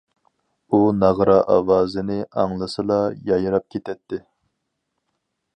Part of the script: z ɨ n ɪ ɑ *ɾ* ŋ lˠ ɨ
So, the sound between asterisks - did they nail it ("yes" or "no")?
no